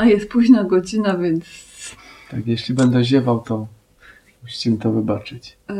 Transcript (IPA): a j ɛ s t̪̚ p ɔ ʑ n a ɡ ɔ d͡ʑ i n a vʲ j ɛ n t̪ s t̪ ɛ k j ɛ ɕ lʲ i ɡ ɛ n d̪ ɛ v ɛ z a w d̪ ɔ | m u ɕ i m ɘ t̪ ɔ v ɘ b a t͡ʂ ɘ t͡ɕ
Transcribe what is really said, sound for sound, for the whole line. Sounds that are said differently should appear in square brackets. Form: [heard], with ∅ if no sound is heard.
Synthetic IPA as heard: a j ɛ s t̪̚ p [u] ʑ n a ɡ ɔ d͡ʑ i n a vʲ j ɛ n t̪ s t̪ [a] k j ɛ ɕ lʲ i [b] ɛ n d̪ ɛ [ʑ] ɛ [v] a w [t̪] ɔ | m u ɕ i m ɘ t̪ ɔ v ɘ b a t͡ʂ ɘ t͡ɕ